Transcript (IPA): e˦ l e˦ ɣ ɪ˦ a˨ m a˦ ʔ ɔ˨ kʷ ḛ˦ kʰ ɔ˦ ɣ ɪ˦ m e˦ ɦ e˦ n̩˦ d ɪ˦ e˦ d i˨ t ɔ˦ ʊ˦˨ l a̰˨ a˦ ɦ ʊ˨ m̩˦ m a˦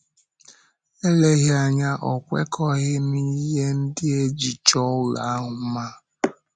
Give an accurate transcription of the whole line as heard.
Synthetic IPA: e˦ l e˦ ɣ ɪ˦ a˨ ɲ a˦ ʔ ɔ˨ kʷ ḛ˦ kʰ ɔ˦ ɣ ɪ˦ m i˦ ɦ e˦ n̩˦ d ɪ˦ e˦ d͡ʒ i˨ t͡ʃ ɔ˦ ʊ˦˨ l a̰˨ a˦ ɦ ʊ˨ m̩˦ m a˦